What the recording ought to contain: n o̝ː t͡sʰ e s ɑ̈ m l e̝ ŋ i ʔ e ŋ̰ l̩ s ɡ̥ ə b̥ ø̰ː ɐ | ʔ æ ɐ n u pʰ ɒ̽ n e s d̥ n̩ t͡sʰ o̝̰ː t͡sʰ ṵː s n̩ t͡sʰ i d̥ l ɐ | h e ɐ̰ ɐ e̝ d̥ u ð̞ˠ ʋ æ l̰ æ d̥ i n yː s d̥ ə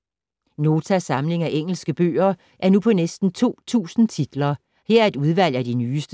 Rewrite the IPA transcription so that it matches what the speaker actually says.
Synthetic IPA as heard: n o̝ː t͡sʰ æ s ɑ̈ m l e̝ ŋ æ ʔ e ŋ̰ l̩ s ɡ̥ ə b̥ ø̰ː ɐ | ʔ æ ɐ n u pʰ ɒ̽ n e s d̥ n̩ t͡sʰ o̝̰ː t͡sʰ ṵː s n̩ t͡sʰ i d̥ l ɐ | h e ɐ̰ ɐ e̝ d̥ u ð̞ˠ ʋ æ l̰ æ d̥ i n yː s d̥ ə